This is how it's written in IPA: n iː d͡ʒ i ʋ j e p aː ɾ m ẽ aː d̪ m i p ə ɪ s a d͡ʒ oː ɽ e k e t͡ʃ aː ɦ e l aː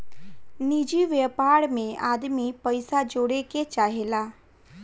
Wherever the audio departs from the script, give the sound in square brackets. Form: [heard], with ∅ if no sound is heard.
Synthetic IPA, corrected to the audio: n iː d͡ʒ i ʋ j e p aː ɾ m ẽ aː d̪ m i p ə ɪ s a d͡ʒ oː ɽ e k e t͡ʃ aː ɦ e l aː